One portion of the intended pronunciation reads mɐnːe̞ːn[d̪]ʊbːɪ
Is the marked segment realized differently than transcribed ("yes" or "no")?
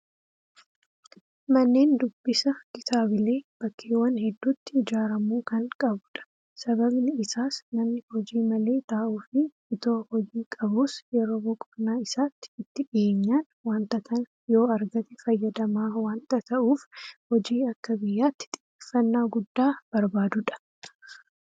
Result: no